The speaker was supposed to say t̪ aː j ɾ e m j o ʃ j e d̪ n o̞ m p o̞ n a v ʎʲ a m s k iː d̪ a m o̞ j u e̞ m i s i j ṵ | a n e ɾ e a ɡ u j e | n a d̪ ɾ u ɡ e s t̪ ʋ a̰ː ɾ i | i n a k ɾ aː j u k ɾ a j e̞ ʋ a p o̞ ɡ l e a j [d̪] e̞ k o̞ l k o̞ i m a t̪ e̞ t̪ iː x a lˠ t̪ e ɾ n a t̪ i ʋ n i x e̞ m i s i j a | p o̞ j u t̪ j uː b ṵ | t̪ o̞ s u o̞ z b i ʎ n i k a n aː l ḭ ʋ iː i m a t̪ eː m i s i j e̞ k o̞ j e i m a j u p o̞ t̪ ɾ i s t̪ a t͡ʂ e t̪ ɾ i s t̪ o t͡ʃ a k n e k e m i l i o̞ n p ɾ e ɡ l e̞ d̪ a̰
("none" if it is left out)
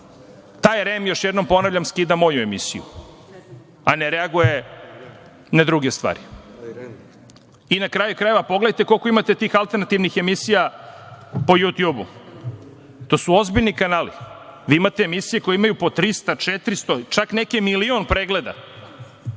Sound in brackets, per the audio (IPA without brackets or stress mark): t̪